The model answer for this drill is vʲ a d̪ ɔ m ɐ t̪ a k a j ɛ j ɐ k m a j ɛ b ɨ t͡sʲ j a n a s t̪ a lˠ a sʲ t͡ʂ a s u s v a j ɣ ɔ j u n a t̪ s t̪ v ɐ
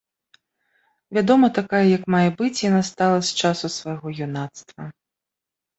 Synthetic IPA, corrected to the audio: vʲ a d̪ ɔ m ɐ t̪ a k a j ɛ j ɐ k m a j ɛ b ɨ t͡sʲ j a n a s t̪ a lˠ ɐ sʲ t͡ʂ a s u s v a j ɣ ɔ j u n a t̪ s t̪ v ɐ